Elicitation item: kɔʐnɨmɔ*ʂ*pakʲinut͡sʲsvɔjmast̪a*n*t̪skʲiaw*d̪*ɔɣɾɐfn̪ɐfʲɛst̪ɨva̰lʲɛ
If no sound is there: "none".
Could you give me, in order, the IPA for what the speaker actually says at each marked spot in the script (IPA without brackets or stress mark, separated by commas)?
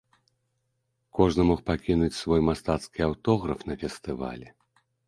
x, none, t̪